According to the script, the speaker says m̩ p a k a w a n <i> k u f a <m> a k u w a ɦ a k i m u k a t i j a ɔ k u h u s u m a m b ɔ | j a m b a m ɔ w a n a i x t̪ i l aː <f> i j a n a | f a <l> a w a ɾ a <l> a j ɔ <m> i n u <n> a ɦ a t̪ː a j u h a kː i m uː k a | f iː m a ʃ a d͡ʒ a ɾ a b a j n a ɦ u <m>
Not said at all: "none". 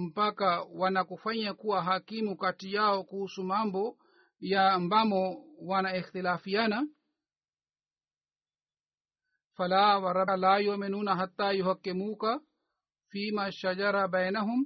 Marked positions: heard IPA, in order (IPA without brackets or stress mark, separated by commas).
a, ɲ, f, l, l, m, n, m